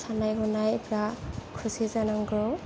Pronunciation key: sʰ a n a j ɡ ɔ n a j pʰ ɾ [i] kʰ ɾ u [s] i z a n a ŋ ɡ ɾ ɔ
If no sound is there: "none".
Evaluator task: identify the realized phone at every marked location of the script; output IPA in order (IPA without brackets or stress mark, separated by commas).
a, s